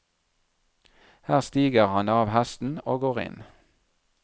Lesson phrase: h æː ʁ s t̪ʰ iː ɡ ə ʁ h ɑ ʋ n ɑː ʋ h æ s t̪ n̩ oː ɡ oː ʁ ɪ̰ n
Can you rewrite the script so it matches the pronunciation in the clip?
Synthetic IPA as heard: h æː ʁ s t̪ iː ɡ ə ʁ h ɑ n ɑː ʋ h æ s t̪ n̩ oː ɡ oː ʁ ɪ̰ n